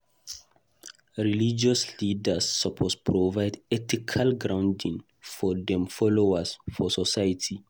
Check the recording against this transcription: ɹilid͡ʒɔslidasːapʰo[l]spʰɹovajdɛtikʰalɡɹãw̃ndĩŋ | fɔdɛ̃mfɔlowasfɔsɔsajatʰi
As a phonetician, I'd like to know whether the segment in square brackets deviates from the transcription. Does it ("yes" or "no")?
yes